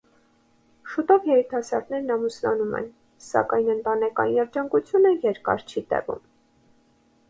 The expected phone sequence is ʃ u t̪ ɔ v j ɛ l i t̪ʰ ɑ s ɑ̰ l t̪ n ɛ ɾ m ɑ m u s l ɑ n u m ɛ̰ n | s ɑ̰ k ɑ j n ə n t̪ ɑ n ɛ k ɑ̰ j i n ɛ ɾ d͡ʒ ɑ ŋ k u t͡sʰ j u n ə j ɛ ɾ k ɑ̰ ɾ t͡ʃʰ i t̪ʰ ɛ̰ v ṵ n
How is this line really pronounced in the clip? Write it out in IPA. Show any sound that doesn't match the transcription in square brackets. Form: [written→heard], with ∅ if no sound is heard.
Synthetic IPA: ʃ u t̪ ɔ v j ɛ [l→ɾ] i t̪ʰ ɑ s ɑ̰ [l→ɾ] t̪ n ɛ ɾ [m→n] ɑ m u s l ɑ n u m ɛ̰ n | s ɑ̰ k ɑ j n ə n t̪ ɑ n ɛ k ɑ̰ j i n ɛ ɾ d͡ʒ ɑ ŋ k u t͡sʰ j u n ə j ɛ ɾ k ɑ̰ ɾ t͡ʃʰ i [t̪ʰ→t̪] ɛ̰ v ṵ [n→m]